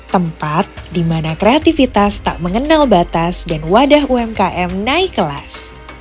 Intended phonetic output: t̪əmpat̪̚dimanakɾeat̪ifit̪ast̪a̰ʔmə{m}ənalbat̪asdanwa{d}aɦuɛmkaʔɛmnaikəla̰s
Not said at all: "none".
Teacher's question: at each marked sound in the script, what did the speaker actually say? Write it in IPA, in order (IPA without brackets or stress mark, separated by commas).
ŋ, d